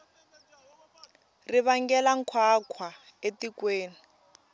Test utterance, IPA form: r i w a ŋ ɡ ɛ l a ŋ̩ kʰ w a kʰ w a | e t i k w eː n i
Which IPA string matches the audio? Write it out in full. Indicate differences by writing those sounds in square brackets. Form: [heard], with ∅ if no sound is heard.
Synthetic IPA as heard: r i [β] a ŋ ɡ ɛ l a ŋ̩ kʰ w a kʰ w a | e t i k w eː n i